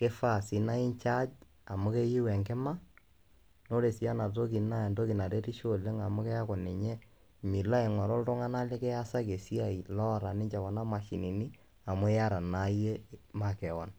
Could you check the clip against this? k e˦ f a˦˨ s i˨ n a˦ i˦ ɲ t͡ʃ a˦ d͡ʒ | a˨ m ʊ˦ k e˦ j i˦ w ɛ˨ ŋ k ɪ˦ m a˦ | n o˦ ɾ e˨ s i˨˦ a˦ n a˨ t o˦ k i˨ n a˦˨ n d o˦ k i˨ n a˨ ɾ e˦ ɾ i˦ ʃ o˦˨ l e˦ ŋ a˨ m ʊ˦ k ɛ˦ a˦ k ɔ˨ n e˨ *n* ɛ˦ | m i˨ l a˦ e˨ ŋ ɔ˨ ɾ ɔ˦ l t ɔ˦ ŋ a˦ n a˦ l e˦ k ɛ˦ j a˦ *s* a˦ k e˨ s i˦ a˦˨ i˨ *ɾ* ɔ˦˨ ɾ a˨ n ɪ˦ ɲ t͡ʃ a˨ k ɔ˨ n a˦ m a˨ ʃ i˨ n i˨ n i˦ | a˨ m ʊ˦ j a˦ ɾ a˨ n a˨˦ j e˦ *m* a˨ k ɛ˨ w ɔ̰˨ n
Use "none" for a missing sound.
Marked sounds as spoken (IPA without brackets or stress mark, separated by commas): ɲ, s, l, m